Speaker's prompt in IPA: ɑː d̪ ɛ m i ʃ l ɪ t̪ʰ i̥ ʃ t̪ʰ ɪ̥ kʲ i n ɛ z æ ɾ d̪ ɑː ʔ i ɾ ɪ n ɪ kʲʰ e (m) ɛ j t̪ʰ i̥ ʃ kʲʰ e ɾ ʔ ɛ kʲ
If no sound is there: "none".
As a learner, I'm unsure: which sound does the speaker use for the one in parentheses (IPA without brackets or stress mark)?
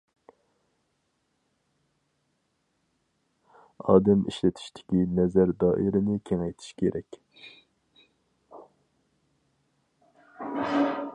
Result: ŋ